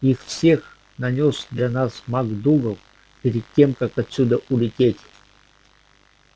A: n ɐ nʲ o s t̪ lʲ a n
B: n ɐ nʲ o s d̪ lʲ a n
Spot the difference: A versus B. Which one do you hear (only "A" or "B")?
B